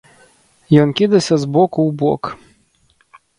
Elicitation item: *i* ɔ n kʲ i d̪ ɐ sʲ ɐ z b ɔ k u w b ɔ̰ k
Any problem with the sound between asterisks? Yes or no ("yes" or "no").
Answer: yes